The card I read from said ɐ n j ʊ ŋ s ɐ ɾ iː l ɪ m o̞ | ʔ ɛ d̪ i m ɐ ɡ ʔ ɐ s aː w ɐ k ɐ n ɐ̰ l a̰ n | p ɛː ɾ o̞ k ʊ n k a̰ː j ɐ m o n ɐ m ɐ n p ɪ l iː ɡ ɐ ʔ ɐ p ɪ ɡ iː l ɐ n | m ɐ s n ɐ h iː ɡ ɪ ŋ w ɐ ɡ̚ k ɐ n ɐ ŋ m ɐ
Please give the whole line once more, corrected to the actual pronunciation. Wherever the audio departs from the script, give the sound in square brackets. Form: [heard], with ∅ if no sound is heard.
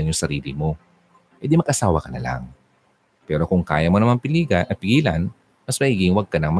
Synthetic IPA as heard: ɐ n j ʊ ŋ s ɐ ɾ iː l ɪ m o̞ | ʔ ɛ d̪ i m ɐ ɡ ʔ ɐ s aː w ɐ k ɐ n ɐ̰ l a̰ [ŋ] | p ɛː ɾ o̞ k ʊ [ŋ] k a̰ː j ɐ m o n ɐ m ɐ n p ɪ l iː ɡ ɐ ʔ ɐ p ɪ ɡ iː l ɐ n | m ɐ s [m] ɐ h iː ɡ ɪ ŋ w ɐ ɡ̚ k ɐ n ɐ ŋ m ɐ